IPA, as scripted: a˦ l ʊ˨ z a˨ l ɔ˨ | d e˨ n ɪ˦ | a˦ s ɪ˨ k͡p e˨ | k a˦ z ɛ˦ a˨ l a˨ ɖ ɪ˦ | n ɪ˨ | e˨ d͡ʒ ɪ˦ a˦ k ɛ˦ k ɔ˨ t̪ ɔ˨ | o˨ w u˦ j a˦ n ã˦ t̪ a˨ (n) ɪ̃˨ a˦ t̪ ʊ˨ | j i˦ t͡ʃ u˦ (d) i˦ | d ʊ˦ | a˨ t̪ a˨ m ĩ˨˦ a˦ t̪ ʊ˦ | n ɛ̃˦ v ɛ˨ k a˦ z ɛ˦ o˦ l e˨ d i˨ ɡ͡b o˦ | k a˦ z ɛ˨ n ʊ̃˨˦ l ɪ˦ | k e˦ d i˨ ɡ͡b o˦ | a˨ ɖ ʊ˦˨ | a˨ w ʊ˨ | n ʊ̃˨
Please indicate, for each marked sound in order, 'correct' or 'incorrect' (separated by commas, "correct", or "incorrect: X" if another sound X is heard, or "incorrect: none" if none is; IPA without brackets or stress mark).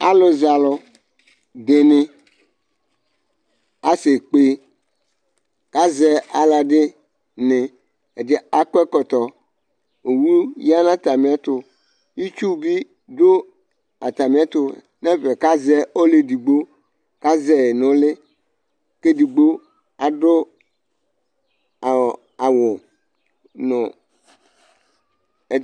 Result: incorrect: m, incorrect: b